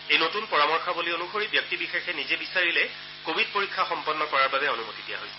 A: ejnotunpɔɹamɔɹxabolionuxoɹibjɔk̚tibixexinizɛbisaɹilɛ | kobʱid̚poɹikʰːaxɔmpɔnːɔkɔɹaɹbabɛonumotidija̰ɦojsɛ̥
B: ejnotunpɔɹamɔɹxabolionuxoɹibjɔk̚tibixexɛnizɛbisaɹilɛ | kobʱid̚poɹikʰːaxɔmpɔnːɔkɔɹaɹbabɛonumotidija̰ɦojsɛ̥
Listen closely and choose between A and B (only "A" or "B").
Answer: B